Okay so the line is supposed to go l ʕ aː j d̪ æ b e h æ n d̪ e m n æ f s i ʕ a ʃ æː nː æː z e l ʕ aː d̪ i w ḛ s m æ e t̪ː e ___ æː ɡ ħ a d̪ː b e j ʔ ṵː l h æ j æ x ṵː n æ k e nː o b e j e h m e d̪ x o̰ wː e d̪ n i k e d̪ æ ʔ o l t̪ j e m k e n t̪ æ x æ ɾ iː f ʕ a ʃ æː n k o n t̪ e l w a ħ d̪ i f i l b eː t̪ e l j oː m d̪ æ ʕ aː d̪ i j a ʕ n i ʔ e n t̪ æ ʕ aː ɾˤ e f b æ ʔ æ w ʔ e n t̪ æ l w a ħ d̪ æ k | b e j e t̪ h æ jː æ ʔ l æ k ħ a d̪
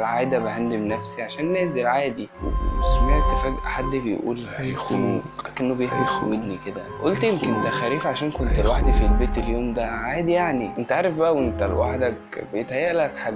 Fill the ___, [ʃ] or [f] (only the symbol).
f